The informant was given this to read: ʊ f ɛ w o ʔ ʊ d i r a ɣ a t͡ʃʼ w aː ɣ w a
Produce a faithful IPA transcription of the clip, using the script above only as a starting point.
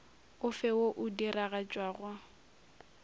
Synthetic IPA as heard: ʊ f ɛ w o ʔ ʊ d i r a ɣ a t͡ʃʼ w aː ɣ w a